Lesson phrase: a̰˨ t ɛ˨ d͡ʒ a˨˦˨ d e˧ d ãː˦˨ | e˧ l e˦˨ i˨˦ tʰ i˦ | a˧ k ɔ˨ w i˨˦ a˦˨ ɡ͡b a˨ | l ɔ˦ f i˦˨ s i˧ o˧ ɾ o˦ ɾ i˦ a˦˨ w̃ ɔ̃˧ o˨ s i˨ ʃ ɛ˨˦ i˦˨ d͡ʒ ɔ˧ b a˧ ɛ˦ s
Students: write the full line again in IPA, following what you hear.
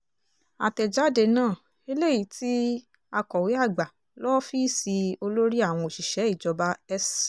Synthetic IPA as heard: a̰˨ t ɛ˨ d͡ʒ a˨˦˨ d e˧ n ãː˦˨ | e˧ l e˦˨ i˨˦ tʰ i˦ | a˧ k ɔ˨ w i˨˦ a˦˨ ɡ͡b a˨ | l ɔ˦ f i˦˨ s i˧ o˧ l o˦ ɾ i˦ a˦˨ w̃ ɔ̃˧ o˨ ʃ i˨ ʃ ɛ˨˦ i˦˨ d͡ʒ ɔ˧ b a˧ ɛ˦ s